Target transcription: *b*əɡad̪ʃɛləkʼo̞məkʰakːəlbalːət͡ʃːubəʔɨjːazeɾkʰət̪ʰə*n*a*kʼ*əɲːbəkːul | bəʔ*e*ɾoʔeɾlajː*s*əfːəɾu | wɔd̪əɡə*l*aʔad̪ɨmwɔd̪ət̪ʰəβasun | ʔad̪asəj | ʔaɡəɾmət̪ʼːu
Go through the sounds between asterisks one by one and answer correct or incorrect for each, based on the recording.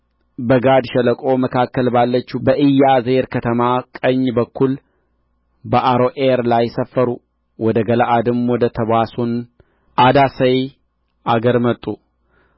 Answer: correct, incorrect: m, correct, incorrect: a, correct, correct

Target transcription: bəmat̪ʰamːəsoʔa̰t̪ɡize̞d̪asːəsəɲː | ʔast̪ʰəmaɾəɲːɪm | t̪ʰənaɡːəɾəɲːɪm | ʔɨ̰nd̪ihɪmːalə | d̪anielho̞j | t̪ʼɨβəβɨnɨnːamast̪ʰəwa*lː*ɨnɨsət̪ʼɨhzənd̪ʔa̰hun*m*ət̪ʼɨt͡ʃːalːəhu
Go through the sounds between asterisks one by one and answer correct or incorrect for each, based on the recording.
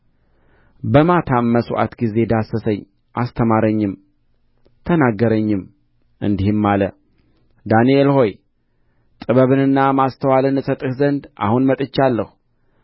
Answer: incorrect: l, correct

